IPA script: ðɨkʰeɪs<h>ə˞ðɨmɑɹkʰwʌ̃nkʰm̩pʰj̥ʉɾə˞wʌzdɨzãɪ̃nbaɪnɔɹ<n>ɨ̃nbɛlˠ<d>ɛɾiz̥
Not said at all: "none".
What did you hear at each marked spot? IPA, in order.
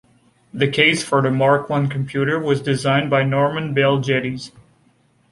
f, m, d͡ʒ

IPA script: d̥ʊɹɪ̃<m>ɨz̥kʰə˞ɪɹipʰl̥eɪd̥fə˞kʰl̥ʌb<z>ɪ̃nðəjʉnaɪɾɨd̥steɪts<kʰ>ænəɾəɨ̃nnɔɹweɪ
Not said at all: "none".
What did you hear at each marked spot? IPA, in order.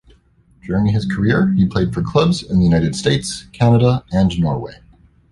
ŋ, z, kʰ

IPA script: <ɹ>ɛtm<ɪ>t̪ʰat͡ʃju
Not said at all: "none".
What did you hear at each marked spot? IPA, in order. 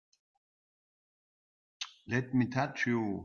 l, i

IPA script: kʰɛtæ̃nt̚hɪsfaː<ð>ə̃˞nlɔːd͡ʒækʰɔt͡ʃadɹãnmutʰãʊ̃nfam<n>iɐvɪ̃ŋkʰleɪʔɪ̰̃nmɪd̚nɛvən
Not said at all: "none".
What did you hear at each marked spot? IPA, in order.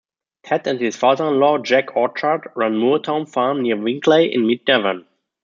ð, n

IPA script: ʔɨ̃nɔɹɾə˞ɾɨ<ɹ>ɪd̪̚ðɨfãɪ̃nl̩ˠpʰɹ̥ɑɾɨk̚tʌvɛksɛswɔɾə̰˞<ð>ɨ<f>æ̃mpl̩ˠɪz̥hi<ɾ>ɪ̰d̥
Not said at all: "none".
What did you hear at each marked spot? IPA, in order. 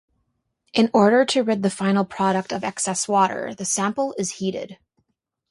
ɹ, ð, s, ɾ

